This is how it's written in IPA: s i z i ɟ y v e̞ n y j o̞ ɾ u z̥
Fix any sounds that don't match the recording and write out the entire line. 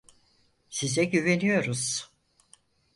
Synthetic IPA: s i z ɛ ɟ y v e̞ n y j o̞ ɾ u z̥